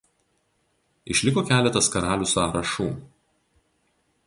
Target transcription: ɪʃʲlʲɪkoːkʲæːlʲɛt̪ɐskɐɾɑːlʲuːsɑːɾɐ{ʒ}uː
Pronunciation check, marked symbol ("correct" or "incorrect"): incorrect